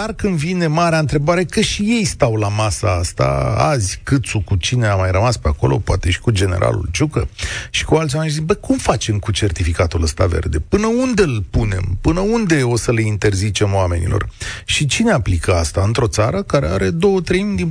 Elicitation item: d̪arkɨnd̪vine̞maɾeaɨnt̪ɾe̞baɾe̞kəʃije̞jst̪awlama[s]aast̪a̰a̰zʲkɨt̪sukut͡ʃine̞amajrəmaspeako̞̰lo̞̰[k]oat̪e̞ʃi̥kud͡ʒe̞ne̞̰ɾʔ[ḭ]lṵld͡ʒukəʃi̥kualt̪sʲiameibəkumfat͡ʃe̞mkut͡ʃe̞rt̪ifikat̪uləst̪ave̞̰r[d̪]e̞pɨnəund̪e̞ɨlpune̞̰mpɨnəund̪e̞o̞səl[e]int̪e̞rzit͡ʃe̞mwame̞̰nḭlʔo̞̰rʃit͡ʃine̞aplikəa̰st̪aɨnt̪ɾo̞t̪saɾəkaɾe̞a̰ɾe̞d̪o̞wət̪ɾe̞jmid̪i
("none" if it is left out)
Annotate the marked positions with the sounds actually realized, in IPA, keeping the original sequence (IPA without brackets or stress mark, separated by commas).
s, p, a̰, d̪, e